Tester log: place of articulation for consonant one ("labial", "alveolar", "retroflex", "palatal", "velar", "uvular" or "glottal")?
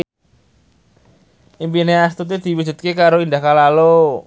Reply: labial